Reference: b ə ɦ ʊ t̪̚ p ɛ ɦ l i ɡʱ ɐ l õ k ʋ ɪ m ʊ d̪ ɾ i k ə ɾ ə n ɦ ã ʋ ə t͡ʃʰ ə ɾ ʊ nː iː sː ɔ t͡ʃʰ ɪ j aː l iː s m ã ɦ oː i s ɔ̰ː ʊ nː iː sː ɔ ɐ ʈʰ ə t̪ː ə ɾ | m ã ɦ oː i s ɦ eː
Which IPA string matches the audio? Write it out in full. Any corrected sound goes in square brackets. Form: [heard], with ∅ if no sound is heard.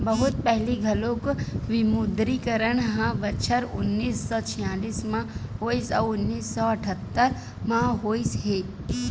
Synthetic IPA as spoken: b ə ɦ ʊ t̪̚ p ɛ ɦ l i ɡʱ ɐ l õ k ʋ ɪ m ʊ d̪ ɾ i k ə ɾ ə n ɦ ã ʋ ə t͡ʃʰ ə ɾ ʊ nː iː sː ɔ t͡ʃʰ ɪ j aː l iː s m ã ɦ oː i s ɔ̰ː ʊ nː iː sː ɔ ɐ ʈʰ ə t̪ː ə ɾ | m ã ɦ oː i s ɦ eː